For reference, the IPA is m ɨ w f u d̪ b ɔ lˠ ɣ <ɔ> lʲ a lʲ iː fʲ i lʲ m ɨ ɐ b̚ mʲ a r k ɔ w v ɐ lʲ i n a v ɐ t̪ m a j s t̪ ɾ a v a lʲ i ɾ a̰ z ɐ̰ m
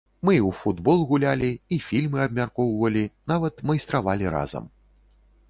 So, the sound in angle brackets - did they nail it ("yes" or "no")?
no